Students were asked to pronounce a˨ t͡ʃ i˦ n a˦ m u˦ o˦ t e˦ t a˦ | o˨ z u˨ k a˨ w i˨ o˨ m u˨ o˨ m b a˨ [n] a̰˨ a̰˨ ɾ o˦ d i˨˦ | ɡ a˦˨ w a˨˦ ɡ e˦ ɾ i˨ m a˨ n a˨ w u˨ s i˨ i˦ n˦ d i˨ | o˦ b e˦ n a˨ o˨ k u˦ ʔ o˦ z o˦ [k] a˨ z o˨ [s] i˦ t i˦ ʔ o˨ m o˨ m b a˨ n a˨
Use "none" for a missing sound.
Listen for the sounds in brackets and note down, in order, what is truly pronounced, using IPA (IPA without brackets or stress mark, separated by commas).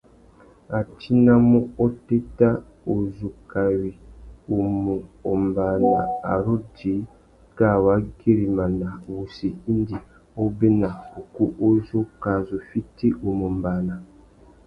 n, k, f